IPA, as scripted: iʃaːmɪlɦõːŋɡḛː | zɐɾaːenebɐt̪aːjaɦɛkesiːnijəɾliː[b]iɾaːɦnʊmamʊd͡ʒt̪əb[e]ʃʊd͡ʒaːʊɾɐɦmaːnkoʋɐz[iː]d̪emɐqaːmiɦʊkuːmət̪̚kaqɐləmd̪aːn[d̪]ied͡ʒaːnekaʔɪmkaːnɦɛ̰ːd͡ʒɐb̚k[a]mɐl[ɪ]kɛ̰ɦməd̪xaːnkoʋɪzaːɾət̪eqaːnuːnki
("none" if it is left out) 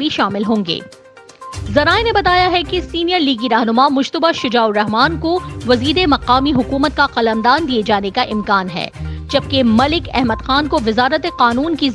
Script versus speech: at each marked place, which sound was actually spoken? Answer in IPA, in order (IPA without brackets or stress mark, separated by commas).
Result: ɡ, a, iː, d̪, e, ɪ